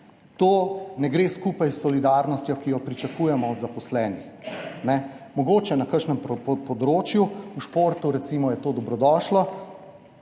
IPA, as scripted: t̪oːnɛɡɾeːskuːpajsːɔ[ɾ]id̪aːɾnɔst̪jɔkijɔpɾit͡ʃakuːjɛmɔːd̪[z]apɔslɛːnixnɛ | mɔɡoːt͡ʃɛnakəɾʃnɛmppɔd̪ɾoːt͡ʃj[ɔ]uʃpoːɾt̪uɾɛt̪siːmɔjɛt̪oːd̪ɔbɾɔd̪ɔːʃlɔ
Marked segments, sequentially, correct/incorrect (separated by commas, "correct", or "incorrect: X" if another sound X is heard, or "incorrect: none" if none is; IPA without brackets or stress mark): incorrect: l, correct, incorrect: u